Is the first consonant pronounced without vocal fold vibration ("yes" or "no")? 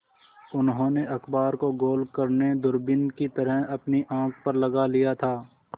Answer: no